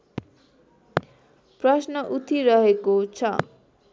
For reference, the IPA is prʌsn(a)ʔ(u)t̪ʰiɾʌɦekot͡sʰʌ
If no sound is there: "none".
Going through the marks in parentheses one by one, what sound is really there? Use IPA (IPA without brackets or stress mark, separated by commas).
ʌ, u